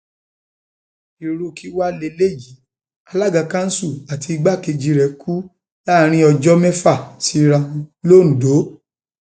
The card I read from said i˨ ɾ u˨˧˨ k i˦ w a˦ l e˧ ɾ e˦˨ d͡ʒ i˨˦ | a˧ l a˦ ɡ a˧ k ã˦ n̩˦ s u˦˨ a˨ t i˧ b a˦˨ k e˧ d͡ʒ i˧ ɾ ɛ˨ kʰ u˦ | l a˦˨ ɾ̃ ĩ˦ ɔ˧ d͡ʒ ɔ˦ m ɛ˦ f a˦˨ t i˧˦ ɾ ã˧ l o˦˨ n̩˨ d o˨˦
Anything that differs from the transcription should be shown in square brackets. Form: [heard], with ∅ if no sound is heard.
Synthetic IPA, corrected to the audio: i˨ ɾ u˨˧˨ k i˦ w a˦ l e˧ [l] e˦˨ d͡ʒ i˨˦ | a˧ l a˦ ɡ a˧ k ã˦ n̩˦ s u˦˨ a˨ t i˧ [ɡ͡b] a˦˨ k e˧ d͡ʒ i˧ ɾ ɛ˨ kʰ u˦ | l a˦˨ ɾ̃ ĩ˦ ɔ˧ d͡ʒ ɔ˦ m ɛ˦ f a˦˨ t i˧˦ ɾ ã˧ l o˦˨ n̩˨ d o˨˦

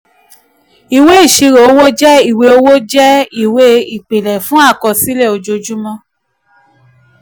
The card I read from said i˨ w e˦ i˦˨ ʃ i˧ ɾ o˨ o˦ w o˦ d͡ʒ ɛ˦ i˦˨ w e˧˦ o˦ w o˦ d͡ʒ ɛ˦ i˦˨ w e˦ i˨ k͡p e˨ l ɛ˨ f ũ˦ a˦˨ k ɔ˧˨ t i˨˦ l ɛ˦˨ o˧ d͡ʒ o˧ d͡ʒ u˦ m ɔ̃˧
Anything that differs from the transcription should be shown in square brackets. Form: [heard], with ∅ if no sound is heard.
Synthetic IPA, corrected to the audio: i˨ w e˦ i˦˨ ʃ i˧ ɾ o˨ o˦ w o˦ d͡ʒ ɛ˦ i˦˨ w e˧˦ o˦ w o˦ d͡ʒ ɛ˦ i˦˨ w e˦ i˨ k͡p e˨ l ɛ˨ f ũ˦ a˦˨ k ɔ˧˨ [s] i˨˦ l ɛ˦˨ o˧ d͡ʒ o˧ d͡ʒ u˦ m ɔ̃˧

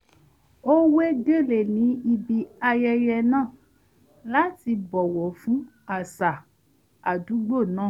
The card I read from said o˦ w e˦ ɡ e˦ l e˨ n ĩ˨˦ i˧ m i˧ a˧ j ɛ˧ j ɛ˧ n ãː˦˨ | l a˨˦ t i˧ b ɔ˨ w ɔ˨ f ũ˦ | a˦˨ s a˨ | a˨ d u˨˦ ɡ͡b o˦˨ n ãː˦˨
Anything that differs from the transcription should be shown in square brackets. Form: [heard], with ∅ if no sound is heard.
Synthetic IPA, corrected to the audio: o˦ w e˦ ɡ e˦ l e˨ n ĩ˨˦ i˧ [b] i˧ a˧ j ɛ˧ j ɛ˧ n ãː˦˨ | l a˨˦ t i˧ b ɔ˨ w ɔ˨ f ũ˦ | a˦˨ s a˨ | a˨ d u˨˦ ɡ͡b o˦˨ n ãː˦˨

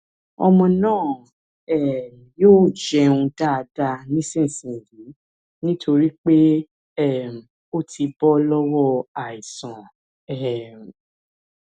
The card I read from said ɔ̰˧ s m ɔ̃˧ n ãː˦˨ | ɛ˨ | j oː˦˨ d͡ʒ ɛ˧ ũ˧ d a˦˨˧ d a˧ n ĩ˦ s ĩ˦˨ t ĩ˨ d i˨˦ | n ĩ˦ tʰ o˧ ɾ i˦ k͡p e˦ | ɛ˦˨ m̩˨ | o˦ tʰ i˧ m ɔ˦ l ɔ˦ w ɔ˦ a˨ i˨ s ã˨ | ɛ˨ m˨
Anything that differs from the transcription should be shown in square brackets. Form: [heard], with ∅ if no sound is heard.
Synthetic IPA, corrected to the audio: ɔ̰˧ [∅] m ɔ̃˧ n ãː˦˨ | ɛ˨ | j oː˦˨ d͡ʒ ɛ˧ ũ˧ d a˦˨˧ d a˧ n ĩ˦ s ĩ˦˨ [s] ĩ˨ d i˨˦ | n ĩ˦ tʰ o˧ ɾ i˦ k͡p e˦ | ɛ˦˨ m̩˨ | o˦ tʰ i˧ [b] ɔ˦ l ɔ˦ w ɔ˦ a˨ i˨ s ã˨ | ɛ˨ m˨

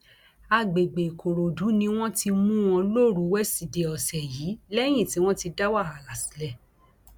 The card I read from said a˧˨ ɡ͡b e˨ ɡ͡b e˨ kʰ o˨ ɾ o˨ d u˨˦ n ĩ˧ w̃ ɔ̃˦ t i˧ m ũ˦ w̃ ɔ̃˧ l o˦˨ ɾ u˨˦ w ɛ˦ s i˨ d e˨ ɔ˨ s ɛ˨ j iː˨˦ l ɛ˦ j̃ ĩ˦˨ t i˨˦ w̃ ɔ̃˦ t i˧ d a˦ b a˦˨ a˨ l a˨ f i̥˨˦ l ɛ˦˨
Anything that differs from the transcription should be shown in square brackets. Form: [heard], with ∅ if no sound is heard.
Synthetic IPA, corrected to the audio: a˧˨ ɡ͡b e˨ ɡ͡b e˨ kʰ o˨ ɾ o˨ d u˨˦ n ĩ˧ w̃ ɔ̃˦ t i˧ m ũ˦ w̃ ɔ̃˧ l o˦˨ ɾ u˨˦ w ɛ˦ s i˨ d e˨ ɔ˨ s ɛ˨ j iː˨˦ l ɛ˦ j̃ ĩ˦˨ t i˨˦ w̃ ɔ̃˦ t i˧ d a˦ [w] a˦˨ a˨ l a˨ [s] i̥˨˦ l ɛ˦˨

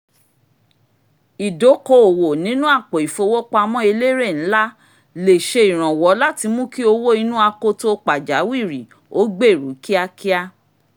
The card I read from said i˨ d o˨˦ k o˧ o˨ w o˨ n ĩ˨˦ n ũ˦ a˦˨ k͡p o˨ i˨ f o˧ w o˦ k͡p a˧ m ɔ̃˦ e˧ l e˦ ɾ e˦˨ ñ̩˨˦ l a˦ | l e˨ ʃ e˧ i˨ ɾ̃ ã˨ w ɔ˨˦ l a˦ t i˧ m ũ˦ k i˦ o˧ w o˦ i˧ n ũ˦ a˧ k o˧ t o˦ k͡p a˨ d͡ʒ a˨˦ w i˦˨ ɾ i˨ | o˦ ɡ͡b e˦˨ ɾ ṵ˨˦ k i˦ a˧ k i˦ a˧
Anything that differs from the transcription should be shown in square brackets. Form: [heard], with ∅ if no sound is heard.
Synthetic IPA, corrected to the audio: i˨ d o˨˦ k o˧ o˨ w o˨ n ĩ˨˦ n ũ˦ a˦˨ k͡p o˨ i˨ f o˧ w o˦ k͡p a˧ m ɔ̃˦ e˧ l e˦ ɾ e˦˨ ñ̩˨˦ l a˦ | l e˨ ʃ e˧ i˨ ɾ̃ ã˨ w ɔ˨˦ l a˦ t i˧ m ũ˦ k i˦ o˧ w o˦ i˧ n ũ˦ a˧ k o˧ t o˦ k͡p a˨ d͡ʒ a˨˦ w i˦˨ ɾ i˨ | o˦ ɡ͡b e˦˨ ɾ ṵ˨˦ k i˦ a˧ k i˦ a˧

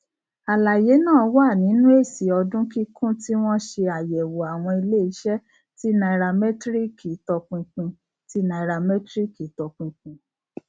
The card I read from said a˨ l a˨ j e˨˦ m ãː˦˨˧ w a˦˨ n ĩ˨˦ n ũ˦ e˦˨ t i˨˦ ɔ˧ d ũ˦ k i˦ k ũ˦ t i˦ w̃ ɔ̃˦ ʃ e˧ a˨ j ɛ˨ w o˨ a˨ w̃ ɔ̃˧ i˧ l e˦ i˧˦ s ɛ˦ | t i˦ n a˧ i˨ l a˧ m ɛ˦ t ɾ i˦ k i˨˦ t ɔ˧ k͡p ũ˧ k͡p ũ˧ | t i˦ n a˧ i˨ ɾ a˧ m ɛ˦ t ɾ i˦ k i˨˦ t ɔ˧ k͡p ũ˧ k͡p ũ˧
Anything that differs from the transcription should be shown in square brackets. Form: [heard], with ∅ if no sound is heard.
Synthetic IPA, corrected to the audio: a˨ l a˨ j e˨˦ [n] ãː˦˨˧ w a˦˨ n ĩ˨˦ n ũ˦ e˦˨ [s] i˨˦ ɔ˧ d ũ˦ k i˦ k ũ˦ t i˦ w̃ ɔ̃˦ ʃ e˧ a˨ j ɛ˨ w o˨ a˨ w̃ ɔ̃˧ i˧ l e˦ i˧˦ [ʃ] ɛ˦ | t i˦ n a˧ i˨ [ɾ] a˧ m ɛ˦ t ɾ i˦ k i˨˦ t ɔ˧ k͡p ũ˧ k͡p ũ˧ | t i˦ n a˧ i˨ ɾ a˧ m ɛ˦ t ɾ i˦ k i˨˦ t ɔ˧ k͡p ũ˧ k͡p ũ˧

